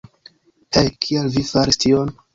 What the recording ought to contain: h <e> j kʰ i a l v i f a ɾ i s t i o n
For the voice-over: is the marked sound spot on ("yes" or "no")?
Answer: yes